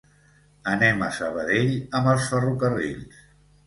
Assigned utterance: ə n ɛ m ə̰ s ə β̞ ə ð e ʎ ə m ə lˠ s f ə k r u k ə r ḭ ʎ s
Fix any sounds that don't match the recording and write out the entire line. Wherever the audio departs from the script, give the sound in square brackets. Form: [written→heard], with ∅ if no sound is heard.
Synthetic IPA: ə n ɛ m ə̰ s ə β̞ ə ð e ʎ ə m ə lˠ s f ə [k→∅] r u k ə r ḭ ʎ s